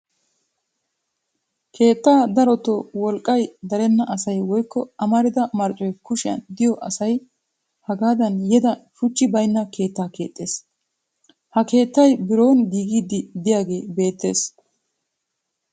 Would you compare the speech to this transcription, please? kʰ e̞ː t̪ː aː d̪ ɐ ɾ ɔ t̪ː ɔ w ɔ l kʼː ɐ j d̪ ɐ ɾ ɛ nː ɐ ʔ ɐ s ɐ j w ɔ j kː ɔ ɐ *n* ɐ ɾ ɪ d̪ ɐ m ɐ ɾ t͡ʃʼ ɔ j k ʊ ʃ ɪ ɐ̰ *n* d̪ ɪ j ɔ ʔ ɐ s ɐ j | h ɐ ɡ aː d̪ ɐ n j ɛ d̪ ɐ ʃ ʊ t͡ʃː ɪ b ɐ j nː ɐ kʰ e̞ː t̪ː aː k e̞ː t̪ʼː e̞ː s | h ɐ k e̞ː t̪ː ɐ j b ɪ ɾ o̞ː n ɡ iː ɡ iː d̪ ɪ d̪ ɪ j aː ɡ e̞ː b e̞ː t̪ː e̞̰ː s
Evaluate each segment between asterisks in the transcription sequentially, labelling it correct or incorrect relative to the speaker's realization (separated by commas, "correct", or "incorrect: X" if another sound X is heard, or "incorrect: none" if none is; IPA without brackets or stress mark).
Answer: incorrect: m, correct